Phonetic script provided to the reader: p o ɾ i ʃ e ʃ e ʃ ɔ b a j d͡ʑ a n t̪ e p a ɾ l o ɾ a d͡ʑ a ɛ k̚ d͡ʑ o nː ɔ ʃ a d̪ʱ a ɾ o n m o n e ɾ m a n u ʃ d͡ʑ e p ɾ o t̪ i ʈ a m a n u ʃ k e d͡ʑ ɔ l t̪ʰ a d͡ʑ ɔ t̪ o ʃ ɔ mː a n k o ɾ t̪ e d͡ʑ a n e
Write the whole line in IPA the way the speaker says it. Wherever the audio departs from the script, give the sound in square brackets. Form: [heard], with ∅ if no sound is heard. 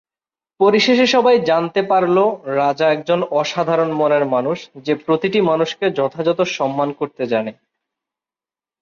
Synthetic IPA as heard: p o ɾ i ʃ e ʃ e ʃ ɔ b a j d͡ʑ a n t̪ e p a ɾ l o ɾ a d͡ʑ a ɛ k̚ d͡ʑ o [n] ɔ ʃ a d̪ʱ a ɾ o n m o n e ɾ m a n u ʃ d͡ʑ e p ɾ o t̪ i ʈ [i] m a n u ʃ k e d͡ʑ ɔ [∅] t̪ʰ a d͡ʑ ɔ t̪ o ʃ ɔ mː a n k o ɾ t̪ e d͡ʑ a n e